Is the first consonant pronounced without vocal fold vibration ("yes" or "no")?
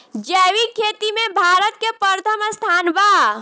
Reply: no